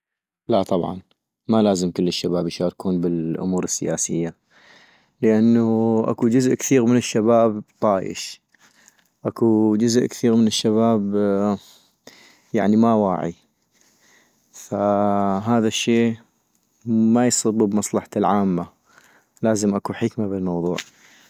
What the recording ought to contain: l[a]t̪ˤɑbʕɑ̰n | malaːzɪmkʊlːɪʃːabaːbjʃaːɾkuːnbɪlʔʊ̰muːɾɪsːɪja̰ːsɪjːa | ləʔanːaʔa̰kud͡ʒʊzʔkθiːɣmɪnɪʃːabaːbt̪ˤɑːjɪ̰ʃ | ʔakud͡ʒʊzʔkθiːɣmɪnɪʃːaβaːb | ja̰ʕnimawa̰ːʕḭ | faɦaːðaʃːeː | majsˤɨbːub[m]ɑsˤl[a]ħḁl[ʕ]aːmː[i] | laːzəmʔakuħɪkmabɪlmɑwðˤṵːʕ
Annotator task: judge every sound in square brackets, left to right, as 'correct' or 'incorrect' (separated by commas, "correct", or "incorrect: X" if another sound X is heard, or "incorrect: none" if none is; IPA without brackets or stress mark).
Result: correct, correct, incorrect: ɑ, correct, incorrect: a